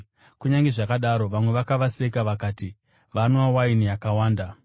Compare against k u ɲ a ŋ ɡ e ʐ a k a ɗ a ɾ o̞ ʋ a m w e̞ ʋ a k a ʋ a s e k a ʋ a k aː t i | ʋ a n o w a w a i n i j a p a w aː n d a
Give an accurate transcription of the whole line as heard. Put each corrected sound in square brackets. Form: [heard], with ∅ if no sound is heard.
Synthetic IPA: k u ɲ a ŋ ɡ e ʐ a k a ɗ a ɾ o̞ ʋ a m w e̞ ʋ a k a ʋ a s e k a ʋ a k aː t i | ʋ a n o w a w a i n i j a [k] a w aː n d a